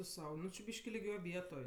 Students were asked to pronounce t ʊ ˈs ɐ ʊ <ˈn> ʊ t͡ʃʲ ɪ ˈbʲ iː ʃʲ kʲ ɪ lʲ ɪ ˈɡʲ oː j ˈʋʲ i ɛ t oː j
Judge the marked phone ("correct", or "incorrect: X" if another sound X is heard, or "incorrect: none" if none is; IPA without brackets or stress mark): correct